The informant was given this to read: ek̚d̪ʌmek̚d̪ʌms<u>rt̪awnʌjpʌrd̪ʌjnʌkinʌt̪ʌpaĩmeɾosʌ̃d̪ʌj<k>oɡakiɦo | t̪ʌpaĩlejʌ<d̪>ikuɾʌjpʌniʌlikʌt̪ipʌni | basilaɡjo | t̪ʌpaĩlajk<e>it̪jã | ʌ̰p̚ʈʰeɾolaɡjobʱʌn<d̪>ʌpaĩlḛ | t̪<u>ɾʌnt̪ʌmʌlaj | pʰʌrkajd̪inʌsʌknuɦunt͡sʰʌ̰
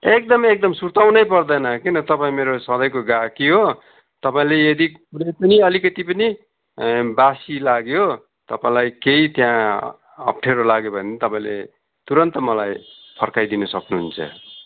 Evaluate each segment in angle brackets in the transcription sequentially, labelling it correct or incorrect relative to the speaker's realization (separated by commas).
correct, correct, correct, correct, incorrect, correct